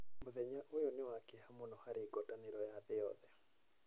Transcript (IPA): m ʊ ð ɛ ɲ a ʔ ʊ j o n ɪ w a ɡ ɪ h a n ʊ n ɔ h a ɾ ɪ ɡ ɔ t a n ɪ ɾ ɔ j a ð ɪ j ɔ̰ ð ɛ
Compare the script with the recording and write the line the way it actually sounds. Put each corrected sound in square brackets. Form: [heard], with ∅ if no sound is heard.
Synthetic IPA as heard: m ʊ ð ɛ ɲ a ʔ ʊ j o n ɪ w a [k] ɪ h a [m] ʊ n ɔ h a ɾ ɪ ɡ ɔ t a n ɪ ɾ ɔ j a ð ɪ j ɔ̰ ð ɛ